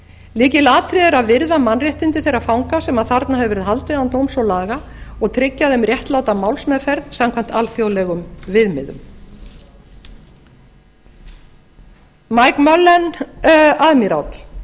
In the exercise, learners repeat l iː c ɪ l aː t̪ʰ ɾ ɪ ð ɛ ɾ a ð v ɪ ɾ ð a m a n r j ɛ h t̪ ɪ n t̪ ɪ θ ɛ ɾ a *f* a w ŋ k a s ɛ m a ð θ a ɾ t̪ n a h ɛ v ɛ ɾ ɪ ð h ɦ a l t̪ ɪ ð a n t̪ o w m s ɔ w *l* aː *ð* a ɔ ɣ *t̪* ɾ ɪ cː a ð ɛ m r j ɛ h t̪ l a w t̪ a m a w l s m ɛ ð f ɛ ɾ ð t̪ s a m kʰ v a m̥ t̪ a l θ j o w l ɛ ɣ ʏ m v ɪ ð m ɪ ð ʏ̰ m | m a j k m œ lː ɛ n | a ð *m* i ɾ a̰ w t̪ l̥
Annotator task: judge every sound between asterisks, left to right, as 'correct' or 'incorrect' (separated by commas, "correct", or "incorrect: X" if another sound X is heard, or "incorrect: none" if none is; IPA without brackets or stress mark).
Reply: correct, correct, incorrect: ɣ, incorrect: t̪ʰ, correct